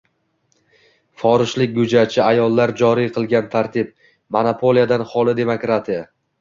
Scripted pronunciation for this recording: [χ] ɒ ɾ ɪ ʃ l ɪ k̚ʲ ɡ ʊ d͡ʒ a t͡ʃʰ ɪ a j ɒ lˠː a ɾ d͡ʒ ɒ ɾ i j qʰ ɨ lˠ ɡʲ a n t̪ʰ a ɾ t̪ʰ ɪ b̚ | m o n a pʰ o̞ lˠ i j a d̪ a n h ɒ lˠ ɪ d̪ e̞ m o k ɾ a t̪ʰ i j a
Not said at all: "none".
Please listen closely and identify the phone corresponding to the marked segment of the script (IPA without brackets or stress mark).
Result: f